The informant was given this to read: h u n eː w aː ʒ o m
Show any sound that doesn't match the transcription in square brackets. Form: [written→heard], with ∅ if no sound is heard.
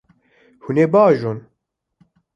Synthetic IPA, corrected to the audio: h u n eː [w→b] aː ʒ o [m→n]